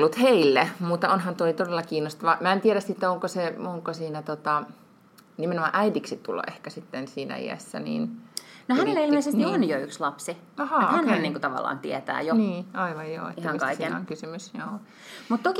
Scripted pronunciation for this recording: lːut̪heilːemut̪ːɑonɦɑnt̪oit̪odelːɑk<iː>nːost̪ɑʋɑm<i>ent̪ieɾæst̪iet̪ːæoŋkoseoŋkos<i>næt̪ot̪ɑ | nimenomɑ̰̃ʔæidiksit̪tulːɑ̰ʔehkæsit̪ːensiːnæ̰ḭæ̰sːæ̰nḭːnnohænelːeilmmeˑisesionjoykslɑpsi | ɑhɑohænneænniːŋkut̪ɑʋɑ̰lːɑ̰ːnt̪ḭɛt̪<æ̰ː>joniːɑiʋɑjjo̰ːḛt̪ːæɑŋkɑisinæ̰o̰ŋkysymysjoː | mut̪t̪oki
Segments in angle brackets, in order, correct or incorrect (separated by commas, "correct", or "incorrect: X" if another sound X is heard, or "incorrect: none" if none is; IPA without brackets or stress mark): correct, incorrect: æ, incorrect: iː, correct